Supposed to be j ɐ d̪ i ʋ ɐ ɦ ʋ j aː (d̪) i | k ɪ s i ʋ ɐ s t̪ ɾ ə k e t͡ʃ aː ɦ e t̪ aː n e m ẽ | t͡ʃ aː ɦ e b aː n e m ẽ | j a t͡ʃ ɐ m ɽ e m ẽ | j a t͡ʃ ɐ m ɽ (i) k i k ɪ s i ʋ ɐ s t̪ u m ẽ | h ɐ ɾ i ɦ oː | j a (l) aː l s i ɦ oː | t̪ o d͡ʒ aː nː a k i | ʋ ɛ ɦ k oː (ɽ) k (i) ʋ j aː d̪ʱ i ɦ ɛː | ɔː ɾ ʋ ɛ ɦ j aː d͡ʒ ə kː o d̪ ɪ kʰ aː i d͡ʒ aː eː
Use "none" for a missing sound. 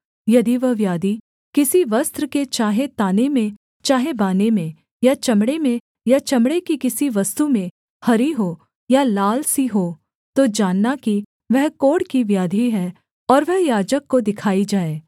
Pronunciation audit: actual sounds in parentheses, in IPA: d̪, e, l, ɽ, i

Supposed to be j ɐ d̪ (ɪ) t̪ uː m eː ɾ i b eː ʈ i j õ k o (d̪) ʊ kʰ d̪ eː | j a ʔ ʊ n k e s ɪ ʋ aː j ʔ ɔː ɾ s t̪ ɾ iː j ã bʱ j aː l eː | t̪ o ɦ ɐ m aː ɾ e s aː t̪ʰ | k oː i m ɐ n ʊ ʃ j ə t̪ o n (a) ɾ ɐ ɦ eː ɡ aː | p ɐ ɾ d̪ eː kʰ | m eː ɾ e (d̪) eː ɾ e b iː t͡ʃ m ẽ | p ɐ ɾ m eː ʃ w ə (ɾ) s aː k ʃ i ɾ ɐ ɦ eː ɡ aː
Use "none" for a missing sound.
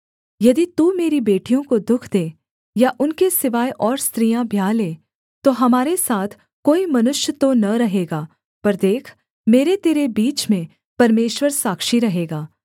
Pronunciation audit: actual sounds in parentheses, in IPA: i, d̪, ɐ, t̪, ɾ

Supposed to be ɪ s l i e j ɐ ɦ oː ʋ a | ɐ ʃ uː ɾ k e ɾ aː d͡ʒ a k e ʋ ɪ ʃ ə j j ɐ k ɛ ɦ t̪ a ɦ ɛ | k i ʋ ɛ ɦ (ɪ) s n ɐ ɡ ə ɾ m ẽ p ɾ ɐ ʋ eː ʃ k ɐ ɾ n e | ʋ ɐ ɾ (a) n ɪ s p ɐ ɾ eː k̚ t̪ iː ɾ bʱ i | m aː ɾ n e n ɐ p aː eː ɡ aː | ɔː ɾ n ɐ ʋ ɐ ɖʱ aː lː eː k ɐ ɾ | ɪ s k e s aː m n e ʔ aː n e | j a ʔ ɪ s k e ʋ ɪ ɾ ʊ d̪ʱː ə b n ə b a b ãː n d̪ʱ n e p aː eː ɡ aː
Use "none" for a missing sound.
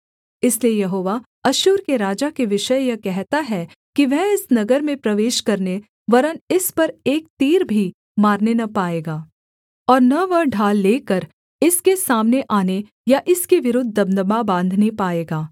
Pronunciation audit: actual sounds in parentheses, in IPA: ɪ, ə

